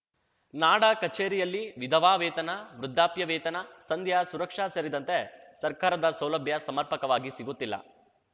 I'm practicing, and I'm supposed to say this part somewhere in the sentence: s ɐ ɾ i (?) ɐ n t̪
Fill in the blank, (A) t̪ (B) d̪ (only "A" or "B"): B